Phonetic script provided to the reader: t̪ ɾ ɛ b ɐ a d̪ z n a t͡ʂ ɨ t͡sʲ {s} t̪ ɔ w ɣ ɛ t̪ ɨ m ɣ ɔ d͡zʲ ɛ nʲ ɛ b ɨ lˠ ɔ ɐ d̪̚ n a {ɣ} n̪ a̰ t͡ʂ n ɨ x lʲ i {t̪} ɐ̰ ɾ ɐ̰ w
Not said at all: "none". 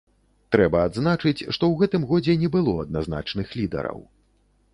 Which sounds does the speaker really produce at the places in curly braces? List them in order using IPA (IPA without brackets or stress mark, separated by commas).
ʂ, z, d̪